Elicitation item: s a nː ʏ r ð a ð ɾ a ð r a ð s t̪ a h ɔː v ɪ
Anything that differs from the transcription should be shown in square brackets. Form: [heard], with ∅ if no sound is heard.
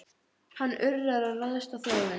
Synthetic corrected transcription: [h] a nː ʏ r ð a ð ɾ a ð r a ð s t̪ a [θ] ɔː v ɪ